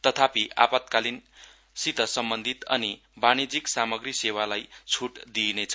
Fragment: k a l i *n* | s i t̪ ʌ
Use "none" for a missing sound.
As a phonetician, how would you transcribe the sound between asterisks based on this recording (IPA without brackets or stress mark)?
n